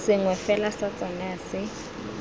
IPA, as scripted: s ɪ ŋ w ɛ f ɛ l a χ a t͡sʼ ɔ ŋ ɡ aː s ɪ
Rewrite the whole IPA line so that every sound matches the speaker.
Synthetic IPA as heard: s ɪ ŋ w ɛ f ɛ l a s a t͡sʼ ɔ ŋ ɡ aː s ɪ